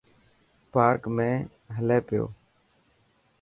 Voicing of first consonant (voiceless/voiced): voiceless